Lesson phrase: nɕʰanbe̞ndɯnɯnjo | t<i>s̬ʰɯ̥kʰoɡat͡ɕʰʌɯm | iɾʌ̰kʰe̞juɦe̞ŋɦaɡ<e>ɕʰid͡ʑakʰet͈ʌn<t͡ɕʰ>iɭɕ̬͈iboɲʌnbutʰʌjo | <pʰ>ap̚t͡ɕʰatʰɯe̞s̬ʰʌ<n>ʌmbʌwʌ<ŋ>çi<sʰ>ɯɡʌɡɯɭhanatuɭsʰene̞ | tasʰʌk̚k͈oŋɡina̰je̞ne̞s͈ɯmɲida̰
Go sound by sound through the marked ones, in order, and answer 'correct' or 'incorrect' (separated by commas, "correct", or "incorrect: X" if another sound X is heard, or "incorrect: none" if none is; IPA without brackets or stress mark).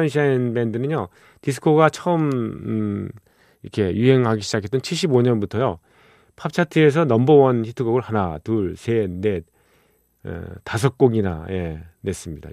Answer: correct, incorrect: i, correct, correct, correct, incorrect: n, incorrect: tʰ